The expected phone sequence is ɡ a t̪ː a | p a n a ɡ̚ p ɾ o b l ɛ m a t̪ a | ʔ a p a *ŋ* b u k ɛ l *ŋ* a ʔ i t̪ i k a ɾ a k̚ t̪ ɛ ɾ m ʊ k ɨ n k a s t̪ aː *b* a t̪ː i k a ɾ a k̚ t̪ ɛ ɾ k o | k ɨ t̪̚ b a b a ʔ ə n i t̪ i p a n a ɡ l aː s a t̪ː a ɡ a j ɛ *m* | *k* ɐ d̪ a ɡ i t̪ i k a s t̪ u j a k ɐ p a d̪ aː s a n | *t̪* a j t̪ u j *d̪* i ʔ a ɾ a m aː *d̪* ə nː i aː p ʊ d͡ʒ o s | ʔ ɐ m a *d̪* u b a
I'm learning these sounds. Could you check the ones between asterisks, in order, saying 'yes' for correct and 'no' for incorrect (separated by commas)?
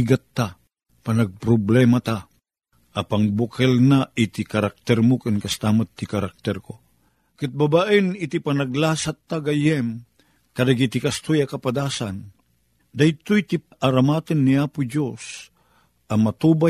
yes, no, no, yes, yes, no, no, no, no